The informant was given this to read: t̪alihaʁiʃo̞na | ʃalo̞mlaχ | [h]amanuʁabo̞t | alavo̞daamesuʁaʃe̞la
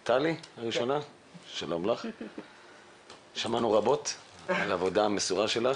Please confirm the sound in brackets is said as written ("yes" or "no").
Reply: no